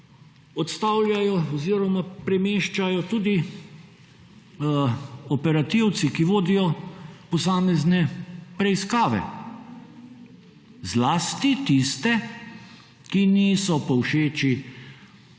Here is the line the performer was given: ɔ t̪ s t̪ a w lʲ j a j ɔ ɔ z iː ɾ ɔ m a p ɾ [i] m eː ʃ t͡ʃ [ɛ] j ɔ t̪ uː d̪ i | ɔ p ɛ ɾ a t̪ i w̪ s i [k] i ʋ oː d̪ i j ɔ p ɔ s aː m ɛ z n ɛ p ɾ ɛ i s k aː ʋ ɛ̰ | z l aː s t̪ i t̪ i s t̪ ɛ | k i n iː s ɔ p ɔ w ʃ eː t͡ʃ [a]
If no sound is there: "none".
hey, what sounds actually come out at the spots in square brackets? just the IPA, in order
ɛ, a, k, i

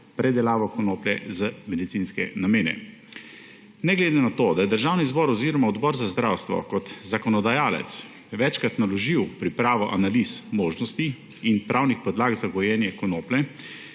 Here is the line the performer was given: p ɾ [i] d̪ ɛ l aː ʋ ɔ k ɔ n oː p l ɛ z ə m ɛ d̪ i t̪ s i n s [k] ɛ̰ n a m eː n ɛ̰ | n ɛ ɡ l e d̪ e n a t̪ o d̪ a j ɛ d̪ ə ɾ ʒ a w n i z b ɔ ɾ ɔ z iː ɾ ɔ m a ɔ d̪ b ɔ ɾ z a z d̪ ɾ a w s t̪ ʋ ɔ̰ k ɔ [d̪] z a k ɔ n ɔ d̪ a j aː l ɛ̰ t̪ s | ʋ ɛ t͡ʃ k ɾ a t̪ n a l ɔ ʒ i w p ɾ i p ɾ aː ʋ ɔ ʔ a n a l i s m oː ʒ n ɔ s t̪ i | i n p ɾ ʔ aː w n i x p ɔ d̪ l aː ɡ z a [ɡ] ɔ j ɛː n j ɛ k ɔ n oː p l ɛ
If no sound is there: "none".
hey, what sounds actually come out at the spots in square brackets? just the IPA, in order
ɛ, k, t̪, ɡ

